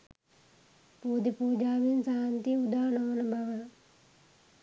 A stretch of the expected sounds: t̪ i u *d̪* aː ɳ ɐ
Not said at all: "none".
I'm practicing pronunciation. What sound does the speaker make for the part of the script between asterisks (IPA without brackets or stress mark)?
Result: d̪